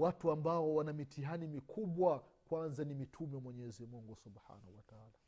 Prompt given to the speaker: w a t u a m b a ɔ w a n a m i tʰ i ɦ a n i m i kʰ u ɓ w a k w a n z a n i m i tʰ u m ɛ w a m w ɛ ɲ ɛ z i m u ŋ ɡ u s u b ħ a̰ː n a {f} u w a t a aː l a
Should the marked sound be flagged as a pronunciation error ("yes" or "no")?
yes